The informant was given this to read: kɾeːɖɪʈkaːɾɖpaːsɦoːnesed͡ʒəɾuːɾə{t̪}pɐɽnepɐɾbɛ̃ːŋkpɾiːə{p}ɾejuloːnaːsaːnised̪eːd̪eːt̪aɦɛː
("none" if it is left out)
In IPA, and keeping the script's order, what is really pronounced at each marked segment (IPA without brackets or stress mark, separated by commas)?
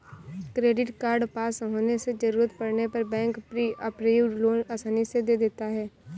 t̪, p